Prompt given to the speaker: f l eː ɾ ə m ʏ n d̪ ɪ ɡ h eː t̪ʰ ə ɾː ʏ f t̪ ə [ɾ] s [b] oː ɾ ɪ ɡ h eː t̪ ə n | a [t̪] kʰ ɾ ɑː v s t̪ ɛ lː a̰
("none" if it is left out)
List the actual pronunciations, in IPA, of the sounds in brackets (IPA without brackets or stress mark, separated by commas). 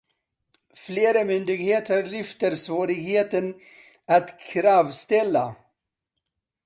ɾ, v, t̪